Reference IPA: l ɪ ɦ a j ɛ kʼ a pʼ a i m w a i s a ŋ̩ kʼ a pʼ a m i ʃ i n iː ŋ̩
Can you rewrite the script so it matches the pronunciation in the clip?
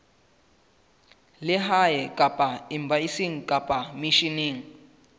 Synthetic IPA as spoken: l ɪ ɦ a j ɛ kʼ a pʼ a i m b a i s i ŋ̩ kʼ a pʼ a m i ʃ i n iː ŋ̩